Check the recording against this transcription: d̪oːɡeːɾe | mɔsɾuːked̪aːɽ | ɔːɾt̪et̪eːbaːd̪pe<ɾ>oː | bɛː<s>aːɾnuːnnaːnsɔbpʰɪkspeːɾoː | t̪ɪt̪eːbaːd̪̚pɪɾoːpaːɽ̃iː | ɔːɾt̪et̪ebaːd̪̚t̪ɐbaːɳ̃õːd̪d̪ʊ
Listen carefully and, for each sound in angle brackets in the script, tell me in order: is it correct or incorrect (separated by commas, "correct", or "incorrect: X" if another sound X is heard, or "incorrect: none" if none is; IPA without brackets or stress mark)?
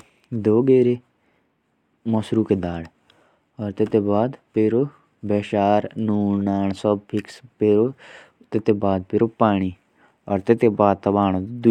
correct, incorrect: ʃ